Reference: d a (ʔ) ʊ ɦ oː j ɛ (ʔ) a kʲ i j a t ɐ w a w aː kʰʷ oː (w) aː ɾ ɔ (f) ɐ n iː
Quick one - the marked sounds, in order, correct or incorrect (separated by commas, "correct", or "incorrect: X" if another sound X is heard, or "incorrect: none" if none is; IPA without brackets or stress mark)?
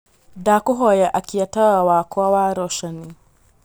incorrect: k, correct, correct, incorrect: ʃ